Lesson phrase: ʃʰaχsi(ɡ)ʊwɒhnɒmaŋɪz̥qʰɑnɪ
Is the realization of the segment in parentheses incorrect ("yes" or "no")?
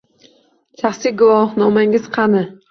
no